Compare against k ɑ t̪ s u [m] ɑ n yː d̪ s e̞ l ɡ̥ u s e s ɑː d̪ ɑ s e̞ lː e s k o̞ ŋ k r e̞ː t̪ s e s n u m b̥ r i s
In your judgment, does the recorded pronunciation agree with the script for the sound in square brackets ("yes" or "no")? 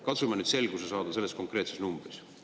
yes